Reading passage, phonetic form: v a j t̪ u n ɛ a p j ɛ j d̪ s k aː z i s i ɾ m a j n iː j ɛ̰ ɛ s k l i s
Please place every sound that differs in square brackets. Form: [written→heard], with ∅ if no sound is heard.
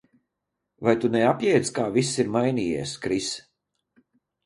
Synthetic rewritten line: v a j t̪ u n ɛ a p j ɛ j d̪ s k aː [z→v] i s i ɾ m a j n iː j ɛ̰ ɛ s k [l→ɾ] i s